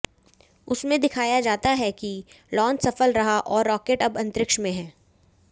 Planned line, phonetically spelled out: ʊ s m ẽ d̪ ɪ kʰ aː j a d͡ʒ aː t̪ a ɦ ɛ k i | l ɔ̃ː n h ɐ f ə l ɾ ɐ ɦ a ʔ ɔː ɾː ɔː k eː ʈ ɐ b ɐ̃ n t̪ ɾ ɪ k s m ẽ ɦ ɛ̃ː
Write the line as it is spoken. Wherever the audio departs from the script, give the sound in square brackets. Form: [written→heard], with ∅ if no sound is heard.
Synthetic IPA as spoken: ʊ s m ẽ d̪ ɪ kʰ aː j a d͡ʒ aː t̪ a ɦ ɛ k i | l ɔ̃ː n [h→s] ɐ f ə l ɾ ɐ ɦ a ʔ ɔː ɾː ɔː k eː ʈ ɐ b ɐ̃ n t̪ ɾ ɪ k [s→ʃ] m ẽ ɦ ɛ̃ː